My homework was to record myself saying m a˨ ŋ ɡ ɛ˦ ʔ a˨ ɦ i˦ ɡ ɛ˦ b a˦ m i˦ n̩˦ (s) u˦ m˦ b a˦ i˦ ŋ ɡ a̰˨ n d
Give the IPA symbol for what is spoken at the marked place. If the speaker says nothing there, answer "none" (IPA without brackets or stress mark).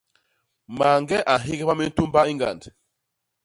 t